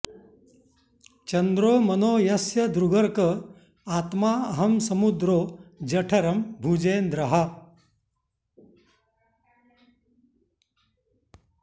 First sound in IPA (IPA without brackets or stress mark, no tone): t͡ʃ